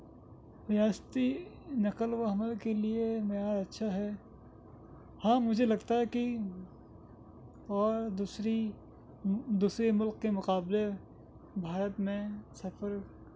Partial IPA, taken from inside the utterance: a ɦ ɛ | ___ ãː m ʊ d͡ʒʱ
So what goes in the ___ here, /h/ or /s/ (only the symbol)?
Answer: h